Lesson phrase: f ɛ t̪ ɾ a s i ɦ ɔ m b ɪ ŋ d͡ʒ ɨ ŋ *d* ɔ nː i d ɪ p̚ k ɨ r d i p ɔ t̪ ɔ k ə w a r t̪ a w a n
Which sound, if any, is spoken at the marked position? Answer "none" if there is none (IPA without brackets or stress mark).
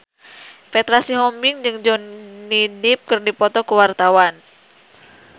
d͡ʒ